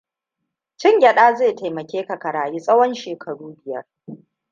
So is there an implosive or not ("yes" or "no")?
yes